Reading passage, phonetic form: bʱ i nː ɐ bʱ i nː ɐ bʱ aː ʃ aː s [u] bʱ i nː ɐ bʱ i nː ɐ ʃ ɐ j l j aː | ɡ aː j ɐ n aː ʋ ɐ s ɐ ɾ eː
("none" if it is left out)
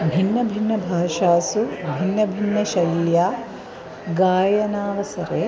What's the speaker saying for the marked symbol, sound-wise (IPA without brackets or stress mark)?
u